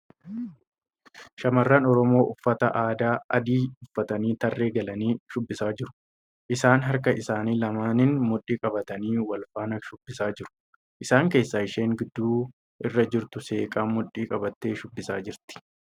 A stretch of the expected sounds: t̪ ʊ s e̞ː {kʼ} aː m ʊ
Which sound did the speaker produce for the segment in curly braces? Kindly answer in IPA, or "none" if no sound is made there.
kʼ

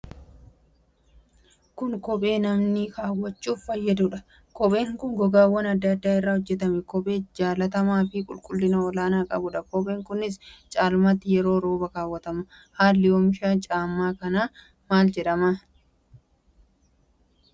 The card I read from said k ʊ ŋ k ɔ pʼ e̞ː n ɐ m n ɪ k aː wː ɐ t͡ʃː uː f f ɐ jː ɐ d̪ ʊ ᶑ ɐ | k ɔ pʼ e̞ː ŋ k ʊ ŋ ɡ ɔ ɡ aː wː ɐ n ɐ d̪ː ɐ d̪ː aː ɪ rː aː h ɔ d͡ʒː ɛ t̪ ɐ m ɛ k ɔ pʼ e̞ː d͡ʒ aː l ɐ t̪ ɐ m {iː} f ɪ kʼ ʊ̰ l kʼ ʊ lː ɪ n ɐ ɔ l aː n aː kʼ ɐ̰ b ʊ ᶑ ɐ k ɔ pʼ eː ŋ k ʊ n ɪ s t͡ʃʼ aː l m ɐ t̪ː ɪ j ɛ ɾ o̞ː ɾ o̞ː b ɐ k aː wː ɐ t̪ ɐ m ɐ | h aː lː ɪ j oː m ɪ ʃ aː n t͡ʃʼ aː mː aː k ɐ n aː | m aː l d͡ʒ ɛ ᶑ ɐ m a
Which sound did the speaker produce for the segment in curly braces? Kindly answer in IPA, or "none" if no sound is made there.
aː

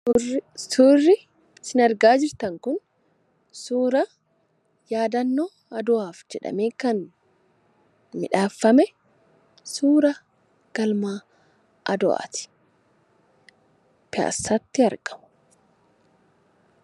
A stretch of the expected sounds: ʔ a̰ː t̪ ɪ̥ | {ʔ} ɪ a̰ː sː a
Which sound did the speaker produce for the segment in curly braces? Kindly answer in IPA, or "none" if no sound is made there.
p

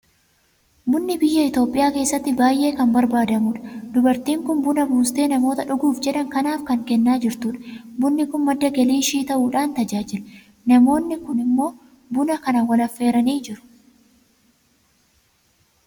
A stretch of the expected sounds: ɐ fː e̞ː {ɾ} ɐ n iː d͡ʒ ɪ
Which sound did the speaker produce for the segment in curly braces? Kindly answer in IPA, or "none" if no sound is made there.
ɾ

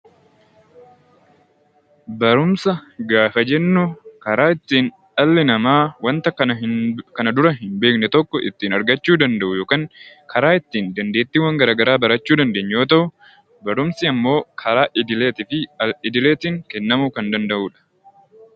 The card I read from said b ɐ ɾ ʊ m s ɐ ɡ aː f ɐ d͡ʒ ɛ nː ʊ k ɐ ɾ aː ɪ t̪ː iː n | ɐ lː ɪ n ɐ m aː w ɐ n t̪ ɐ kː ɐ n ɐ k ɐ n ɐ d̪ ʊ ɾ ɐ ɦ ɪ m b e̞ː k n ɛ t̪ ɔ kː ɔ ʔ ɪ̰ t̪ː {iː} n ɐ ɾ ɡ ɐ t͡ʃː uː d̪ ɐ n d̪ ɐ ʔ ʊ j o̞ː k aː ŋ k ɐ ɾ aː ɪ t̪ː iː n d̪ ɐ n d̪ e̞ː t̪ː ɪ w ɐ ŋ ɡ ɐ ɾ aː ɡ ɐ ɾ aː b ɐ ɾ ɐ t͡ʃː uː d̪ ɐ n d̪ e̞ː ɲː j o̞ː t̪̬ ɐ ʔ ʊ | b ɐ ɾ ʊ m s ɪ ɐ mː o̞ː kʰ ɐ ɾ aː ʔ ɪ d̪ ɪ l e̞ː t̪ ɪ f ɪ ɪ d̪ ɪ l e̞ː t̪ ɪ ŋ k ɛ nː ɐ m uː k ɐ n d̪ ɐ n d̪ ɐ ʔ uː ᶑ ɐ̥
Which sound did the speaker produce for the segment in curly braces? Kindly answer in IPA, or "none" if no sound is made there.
iː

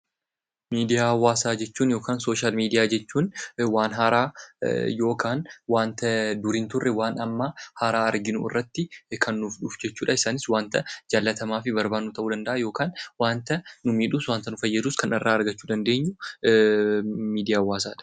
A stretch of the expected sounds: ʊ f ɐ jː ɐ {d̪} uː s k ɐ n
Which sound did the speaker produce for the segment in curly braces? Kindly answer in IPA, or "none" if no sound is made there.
d̪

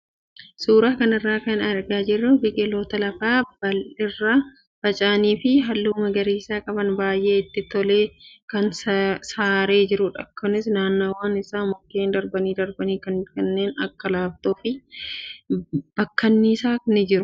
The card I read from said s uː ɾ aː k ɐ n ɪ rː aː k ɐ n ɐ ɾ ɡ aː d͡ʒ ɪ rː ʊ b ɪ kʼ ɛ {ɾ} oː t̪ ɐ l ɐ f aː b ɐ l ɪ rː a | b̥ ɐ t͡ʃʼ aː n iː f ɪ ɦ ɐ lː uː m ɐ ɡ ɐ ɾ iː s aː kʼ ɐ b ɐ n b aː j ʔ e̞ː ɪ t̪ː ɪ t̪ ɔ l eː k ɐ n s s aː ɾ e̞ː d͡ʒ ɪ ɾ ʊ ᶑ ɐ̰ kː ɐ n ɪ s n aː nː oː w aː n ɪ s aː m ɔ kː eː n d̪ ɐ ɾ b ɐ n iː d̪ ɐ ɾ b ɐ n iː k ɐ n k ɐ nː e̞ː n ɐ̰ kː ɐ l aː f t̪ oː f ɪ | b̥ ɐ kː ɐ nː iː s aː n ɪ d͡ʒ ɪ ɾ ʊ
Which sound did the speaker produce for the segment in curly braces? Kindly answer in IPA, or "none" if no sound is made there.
l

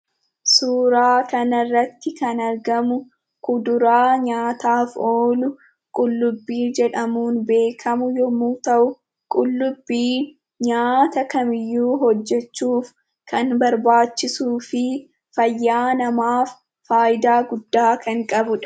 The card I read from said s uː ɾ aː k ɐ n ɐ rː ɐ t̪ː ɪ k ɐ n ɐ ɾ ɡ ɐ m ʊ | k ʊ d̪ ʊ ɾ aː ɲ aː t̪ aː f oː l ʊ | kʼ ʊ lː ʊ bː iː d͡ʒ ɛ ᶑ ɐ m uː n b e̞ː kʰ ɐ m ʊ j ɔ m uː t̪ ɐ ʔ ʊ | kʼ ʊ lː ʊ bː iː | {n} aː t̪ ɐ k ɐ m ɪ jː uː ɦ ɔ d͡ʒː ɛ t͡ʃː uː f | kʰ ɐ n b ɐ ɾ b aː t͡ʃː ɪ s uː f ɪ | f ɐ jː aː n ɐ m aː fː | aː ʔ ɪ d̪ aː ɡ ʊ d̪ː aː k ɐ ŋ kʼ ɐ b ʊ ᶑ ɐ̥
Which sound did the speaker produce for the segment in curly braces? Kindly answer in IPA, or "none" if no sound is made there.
ɲ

